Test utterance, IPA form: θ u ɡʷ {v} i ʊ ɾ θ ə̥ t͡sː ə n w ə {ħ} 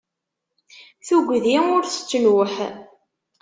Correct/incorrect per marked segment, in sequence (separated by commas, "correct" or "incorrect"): incorrect, correct